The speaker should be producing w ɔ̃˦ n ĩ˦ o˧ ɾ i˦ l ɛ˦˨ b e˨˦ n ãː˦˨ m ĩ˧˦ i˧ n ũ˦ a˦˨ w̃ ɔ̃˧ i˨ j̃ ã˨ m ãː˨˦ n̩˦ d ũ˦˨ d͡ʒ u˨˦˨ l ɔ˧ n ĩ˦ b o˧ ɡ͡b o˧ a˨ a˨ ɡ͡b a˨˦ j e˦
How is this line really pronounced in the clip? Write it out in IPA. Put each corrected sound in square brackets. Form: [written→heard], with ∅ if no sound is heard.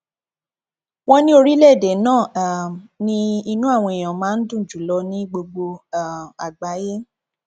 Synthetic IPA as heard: w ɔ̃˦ n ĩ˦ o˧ ɾ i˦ l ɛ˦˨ [b→d] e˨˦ n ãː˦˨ [m→n] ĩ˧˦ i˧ n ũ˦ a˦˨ w̃ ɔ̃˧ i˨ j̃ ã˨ m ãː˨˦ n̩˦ d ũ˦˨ d͡ʒ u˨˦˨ l ɔ˧ n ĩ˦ [b→ɡ͡b] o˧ ɡ͡b o˧ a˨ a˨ ɡ͡b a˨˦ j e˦